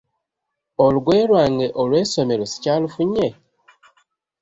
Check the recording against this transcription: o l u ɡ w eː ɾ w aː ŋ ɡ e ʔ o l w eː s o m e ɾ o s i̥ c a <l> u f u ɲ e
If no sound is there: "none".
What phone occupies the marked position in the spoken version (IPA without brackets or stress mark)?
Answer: l